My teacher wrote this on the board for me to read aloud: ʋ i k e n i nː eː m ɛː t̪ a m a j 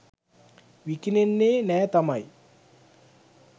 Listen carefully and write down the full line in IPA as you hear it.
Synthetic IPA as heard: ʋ i k i n e nː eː n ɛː t̪ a m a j